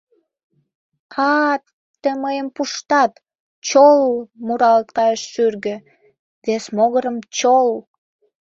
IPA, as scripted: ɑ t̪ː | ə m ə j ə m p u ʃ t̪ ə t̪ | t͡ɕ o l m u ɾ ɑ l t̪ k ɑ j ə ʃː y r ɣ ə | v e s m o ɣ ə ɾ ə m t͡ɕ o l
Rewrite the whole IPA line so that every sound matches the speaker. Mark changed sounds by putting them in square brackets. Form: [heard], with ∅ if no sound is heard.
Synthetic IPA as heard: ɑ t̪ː | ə m ə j ə m p u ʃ t̪ [ɑ] t̪ | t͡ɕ o l m u ɾ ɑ l t̪ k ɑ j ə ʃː y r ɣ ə | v e s m o ɣ ə ɾ ə m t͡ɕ o l